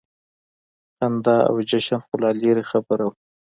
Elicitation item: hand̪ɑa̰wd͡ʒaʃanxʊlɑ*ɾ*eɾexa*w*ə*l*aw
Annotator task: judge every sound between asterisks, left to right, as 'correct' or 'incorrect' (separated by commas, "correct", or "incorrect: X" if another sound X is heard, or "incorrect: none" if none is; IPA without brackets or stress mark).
incorrect: l, incorrect: b, incorrect: ɾ